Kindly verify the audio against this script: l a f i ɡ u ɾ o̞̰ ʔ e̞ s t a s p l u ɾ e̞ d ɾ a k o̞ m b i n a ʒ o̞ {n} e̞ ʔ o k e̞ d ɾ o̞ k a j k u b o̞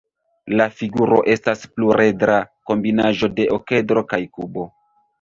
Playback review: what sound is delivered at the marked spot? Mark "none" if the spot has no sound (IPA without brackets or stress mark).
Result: d